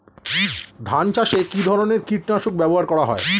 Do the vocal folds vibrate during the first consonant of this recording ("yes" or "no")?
yes